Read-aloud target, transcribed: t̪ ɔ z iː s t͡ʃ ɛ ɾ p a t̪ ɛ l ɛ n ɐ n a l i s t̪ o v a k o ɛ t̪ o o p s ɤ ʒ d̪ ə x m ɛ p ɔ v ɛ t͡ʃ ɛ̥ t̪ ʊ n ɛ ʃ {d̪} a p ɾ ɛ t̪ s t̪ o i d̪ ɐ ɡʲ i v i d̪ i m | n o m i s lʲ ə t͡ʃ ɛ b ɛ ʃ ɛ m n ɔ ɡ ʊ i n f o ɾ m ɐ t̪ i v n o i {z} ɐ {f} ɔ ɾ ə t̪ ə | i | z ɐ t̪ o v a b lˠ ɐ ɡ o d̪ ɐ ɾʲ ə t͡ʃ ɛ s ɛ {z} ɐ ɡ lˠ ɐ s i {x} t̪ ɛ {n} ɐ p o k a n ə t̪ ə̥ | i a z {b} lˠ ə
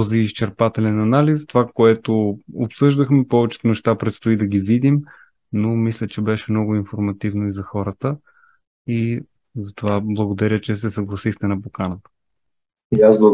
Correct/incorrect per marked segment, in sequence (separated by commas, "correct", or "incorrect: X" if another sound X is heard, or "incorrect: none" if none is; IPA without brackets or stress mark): incorrect: t̪, correct, incorrect: x, incorrect: s, correct, correct, correct